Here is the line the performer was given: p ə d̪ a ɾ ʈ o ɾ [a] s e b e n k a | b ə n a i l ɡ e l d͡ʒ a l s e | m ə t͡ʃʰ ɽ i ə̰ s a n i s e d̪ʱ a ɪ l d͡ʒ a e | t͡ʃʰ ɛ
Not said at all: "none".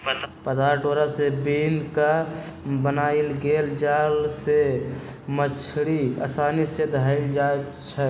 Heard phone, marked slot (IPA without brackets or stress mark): a